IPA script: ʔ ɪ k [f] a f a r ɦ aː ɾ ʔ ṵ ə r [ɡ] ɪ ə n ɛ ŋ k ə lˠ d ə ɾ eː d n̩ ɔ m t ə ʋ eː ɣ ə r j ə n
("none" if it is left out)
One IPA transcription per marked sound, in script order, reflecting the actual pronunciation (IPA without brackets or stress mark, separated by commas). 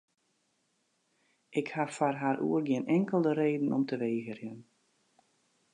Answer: h, ɡ